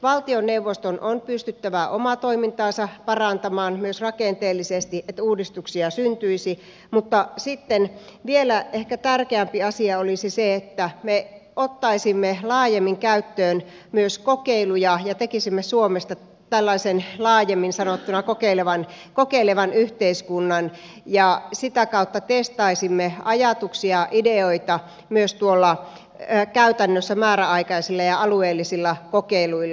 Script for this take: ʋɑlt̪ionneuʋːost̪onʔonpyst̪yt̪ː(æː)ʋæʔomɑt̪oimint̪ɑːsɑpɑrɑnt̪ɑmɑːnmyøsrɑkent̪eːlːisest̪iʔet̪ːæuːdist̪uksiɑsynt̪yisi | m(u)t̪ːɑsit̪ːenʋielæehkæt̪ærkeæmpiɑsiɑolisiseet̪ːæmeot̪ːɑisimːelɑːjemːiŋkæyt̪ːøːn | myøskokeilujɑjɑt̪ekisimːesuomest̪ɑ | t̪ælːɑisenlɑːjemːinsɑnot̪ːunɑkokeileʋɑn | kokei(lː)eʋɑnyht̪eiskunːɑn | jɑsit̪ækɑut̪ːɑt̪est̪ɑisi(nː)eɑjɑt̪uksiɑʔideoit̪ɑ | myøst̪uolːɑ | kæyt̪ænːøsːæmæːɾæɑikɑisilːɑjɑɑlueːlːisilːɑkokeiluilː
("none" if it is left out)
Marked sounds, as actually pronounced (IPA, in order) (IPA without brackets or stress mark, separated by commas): æ, u, l, mː